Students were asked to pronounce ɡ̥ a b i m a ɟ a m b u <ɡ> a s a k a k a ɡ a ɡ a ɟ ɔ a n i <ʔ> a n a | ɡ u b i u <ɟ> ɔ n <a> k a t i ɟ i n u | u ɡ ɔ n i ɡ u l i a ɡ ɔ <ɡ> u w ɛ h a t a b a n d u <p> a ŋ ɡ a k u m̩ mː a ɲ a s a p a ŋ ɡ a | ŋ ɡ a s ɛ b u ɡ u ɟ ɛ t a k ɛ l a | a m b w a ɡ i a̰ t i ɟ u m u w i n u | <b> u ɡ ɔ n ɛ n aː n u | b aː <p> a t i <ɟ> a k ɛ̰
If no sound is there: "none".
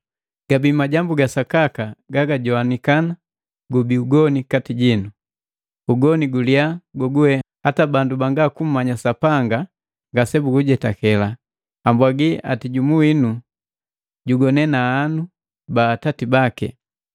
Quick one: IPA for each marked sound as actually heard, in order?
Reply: ɡ, k, ɡ, i, ɡ, b, ɟ, t, b

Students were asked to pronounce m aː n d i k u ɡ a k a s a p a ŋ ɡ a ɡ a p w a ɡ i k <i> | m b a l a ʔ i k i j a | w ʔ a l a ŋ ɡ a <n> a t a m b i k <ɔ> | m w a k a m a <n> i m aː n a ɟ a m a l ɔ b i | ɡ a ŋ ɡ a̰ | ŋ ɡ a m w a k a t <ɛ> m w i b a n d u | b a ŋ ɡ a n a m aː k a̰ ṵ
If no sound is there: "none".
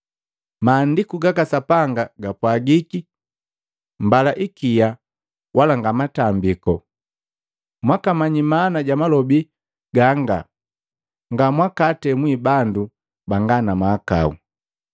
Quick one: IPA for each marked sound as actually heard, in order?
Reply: i, m, ɔ, ɲ, ɛ

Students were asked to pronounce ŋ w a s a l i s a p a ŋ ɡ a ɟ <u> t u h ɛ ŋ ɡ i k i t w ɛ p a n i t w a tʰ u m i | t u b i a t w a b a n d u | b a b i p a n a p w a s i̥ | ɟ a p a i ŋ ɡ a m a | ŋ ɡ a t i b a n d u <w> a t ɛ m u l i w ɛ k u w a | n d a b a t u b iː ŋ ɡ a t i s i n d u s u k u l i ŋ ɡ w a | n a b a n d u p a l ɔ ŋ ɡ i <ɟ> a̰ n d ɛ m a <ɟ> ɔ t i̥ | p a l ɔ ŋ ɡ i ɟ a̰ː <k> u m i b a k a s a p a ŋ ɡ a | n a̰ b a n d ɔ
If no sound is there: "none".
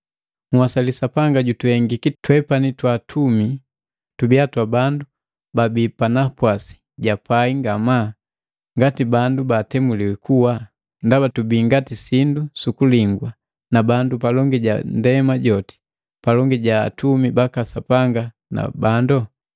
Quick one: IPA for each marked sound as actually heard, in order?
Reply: u, b, ɟ, ɟ, t

